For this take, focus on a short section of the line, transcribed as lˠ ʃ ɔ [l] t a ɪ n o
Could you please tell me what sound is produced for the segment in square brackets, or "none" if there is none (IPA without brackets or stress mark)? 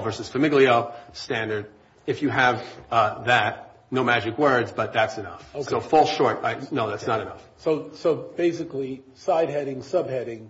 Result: ɹ